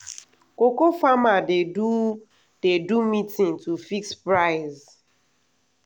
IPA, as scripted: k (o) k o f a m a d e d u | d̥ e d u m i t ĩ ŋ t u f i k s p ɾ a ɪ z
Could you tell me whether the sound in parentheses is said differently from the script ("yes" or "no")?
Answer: no